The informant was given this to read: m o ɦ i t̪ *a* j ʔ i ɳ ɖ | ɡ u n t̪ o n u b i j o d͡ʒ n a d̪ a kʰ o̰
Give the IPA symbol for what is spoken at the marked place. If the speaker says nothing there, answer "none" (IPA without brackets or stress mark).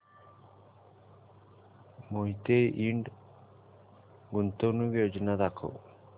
e